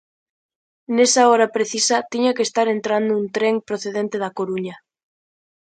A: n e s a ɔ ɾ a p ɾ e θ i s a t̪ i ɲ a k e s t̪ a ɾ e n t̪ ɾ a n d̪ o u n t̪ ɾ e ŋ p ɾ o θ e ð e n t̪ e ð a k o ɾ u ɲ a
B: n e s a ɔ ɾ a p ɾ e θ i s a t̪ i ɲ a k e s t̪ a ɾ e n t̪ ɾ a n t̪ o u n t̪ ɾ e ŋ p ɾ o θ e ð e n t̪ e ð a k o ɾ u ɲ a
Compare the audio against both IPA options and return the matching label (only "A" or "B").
A